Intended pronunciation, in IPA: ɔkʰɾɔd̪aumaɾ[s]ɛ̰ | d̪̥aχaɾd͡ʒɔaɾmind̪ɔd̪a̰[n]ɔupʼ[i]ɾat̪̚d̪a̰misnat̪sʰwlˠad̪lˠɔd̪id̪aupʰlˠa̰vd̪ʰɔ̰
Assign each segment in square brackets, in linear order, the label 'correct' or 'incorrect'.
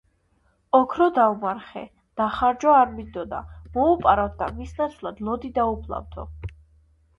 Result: incorrect, incorrect, incorrect

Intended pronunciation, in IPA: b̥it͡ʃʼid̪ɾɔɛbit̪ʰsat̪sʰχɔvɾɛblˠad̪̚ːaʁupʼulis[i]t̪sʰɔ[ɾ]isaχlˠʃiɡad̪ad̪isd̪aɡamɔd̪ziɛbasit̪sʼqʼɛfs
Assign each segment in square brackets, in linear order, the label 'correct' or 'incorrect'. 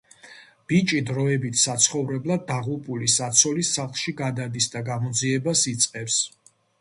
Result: incorrect, incorrect

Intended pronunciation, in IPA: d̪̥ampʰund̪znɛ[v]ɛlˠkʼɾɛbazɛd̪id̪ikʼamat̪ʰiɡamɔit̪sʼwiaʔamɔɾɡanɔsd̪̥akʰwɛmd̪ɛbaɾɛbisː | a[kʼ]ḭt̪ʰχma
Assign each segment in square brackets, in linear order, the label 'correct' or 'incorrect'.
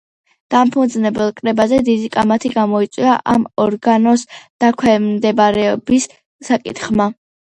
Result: incorrect, correct

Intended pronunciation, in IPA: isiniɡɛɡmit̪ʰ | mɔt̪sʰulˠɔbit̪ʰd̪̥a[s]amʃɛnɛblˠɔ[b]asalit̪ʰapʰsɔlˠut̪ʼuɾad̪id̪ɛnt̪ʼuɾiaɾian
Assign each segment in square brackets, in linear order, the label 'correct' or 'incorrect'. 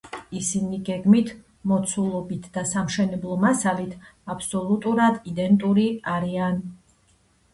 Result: correct, incorrect

